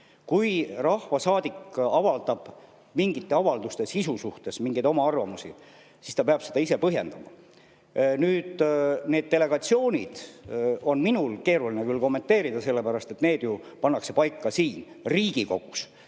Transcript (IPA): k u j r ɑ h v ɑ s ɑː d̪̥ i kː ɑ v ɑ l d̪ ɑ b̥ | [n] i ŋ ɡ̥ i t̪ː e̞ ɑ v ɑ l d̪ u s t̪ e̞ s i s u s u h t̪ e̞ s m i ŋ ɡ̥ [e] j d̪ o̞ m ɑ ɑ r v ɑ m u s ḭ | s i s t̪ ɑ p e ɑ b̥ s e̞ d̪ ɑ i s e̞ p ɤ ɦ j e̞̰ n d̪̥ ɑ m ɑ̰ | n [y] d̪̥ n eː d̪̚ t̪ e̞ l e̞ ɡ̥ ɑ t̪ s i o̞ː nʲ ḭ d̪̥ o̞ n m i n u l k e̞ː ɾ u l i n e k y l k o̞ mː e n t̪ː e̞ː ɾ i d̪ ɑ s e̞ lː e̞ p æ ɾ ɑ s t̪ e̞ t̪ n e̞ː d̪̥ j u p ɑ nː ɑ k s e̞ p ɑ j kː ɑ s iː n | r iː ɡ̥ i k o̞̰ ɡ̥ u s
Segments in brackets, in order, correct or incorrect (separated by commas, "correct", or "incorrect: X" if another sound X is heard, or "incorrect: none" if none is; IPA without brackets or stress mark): incorrect: m, correct, incorrect: yː